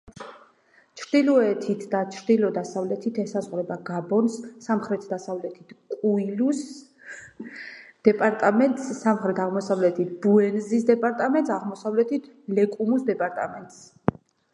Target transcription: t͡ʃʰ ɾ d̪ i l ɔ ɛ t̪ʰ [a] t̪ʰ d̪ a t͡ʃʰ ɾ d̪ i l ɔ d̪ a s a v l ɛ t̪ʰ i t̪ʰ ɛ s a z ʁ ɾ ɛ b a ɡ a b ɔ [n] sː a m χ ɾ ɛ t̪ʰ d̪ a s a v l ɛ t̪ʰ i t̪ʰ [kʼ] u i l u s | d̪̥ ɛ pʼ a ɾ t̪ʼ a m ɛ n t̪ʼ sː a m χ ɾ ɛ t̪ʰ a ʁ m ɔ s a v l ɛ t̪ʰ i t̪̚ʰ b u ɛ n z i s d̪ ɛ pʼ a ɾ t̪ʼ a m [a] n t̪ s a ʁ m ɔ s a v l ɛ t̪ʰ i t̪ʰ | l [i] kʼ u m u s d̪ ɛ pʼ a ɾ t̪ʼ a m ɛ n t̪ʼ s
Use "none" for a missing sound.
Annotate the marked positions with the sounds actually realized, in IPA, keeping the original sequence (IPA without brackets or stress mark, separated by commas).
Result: i, n, kʼ, ɛ, ɛ